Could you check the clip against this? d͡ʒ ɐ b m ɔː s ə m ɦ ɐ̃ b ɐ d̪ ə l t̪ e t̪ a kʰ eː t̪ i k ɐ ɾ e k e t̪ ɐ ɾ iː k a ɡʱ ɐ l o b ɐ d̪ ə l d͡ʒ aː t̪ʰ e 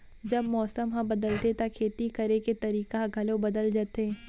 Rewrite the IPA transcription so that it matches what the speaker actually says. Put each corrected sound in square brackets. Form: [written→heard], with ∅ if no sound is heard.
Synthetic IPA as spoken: d͡ʒ ɐ b m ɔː s ə m ɦ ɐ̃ b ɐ d̪ ə l t̪ e t̪ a kʰ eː t̪ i k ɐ ɾ e k e t̪ ɐ ɾ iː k a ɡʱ ɐ l o b ɐ d̪ ə l d͡ʒ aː [t̪ʰ→t̪] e